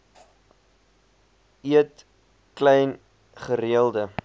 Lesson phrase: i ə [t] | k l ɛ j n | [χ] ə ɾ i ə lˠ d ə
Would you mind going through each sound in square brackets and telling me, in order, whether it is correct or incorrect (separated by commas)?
correct, correct